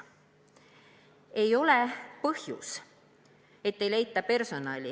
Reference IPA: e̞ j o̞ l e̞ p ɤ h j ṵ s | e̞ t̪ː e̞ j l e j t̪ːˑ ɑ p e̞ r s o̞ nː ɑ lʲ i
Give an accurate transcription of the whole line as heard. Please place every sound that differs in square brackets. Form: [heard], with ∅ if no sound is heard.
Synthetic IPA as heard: e̞ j o̞ l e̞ p ɤ h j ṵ s | e̞ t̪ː e̞ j l e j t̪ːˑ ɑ p e̞ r s o̞ [n] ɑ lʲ i